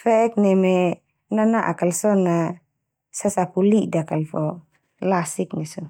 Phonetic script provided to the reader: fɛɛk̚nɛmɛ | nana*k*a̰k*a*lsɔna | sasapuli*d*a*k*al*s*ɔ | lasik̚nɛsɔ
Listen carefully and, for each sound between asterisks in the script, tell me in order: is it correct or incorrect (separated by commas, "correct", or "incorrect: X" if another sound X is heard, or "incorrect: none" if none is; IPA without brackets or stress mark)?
incorrect: ʔ, correct, correct, correct, incorrect: f